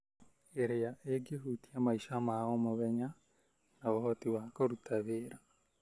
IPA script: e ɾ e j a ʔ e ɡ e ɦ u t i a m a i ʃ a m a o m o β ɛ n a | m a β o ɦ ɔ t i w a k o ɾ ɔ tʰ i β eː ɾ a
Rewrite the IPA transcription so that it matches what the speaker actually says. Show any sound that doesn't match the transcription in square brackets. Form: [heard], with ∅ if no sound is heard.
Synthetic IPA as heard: e ɾ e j a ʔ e ɡ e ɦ u t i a m a i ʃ a m a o m o β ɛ [ɲ] a | [n] a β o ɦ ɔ t i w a k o ɾ [u] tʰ [a] β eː ɾ a